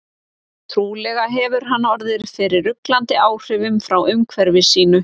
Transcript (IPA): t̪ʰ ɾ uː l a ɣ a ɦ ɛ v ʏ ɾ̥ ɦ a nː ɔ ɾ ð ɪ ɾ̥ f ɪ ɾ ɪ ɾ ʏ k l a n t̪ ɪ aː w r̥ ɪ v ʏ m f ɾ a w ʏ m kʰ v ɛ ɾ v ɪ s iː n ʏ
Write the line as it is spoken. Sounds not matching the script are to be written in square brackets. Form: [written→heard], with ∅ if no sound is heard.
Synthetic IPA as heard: t̪ʰ ɾ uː l [a→ɛ] ɣ a ɦ ɛ v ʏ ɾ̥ ɦ a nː ɔ ɾ ð ɪ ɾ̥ f ɪ ɾ ɪ ɾ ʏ k l a n t̪ ɪ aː w r̥ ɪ v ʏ m f ɾ a w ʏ m kʰ v ɛ ɾ v ɪ s iː n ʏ